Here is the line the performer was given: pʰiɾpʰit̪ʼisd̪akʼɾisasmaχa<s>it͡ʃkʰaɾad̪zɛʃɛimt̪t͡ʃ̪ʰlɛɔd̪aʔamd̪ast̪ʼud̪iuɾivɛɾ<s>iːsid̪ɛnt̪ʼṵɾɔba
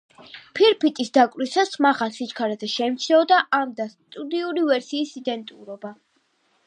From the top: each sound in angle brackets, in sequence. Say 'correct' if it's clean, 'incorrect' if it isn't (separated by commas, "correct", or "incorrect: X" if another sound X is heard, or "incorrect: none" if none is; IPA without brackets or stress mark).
correct, correct